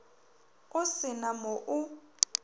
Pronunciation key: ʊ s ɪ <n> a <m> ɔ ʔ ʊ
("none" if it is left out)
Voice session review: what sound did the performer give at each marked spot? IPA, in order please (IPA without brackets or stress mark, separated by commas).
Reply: n, m